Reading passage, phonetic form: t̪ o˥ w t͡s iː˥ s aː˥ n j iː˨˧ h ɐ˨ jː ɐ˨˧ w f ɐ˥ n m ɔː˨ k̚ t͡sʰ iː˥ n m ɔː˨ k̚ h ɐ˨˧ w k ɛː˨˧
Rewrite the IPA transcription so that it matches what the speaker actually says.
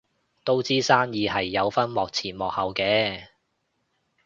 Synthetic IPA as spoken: t̪ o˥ w t͡s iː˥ s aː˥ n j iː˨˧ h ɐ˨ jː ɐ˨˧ w f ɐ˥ n m ɔː˨ k̚ t͡sʰ iː˨˩ n m ɔː˨ k̚ h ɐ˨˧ w k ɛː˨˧